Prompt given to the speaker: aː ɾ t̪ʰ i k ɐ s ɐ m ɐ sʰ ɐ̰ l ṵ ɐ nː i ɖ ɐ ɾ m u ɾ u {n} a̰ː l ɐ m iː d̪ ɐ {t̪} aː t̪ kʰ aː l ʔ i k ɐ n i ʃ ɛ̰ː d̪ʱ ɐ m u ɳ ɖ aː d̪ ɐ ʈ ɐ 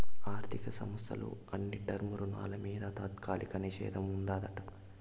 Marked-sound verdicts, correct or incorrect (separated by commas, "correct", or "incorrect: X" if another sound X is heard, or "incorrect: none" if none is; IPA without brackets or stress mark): correct, correct